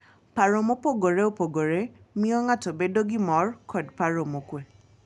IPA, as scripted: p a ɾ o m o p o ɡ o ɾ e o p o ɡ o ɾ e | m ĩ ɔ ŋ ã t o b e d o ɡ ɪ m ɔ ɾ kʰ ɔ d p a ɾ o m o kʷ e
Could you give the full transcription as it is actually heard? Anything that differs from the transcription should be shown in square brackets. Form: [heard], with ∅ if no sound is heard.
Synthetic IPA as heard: p a ɾ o m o p o ɡ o ɾ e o p o ɡ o ɾ e | m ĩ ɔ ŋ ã t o b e d o ɡ [i] m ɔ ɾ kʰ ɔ d p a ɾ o m o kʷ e